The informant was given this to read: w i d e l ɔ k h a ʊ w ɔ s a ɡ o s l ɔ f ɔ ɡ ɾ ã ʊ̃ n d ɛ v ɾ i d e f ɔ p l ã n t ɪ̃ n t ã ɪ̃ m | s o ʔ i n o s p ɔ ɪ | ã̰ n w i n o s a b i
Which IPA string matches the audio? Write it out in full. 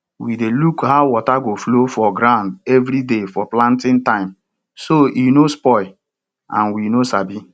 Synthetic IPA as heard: w i d e l u k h a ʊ w ɔ t a ɡ o f l o f ɔ ɡ ɾ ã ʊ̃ n d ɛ v ɾ i d e f ɔ p l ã n t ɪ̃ n t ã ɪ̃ m | s o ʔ i n o s p ɔ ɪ | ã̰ n w i n o s a b i

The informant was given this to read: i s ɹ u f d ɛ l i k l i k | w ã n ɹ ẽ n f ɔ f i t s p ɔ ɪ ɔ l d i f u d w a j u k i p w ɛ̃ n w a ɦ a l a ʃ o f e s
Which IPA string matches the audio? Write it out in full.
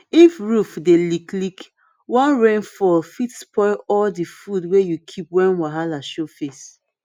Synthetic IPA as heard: i f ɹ u f d e l i k l i k | w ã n ɹ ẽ n f ɔ f i t s p ɔ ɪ ɔ l d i f u d w e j u kʰ i p w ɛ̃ n w a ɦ a l a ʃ o f e s

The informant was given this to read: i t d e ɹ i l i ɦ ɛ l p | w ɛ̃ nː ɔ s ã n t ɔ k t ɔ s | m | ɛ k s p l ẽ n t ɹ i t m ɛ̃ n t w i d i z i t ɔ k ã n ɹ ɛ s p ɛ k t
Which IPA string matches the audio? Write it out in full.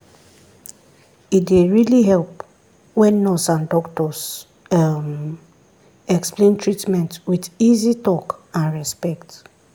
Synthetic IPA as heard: i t d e ɹ i l i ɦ ɛ l p | w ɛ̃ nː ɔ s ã n d ɔ k t ɔ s | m | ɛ k s p l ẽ n t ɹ i t m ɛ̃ n t w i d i z i t ɔ k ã n ɹ ɛ s p ɛ k t

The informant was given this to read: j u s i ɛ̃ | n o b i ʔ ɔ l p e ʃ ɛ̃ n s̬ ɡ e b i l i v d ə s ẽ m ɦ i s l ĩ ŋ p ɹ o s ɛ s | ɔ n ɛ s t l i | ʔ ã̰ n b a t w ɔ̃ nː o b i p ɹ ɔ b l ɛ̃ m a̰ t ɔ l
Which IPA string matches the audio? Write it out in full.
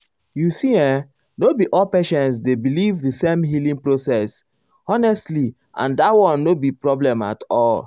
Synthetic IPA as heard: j u s i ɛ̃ | n o b i ʔ ɔ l p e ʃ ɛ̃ n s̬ d e b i l i v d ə s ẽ m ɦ i l ĩ ŋ p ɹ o s ɛ s | ɔ n ɛ s t l i | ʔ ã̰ n d a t w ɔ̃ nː o b i p ɹ ɔ b l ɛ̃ m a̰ t ɔ l

